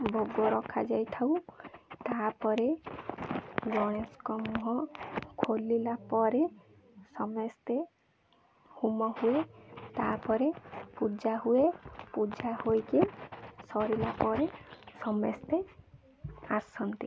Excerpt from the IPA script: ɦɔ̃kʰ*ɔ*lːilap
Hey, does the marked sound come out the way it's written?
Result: no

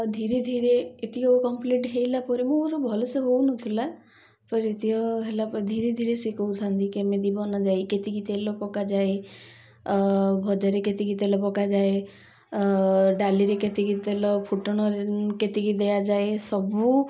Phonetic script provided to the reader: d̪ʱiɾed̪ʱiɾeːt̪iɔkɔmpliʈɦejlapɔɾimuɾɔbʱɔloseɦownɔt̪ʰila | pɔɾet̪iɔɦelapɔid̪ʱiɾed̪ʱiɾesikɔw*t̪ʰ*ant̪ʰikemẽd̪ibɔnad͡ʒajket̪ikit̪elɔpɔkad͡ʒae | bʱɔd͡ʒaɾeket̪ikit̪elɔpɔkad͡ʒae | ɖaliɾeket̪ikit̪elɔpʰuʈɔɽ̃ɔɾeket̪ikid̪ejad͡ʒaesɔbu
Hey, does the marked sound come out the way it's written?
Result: yes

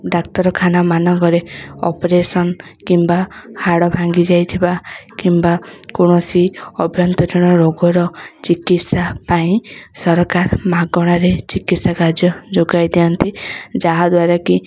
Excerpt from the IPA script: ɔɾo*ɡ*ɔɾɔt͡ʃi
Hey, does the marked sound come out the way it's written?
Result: yes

